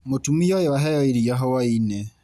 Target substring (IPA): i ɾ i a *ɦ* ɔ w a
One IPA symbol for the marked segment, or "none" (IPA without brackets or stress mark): ɦ